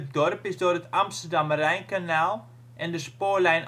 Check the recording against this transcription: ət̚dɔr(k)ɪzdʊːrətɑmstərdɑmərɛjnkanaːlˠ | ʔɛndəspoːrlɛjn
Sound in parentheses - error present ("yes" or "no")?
yes